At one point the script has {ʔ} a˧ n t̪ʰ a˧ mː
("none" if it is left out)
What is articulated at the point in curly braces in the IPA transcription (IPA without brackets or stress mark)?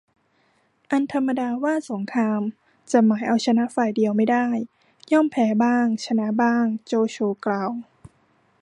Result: ʔ